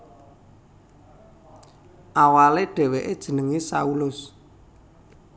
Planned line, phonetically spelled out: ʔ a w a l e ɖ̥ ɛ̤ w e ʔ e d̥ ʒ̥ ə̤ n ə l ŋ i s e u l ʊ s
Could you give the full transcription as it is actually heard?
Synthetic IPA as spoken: ʔ a w a l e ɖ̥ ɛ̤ w e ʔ e d̥ ʒ̥ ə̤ n ə ŋ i s a u l ʊ s